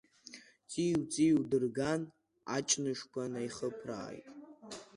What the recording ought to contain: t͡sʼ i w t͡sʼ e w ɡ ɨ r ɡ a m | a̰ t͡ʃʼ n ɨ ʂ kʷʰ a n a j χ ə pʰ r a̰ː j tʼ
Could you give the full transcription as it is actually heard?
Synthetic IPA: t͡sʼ i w t͡sʼ i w d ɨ r ɡ a n | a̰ t͡ʃʼ n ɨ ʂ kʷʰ a n a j χ ə pʰ r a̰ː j tʼ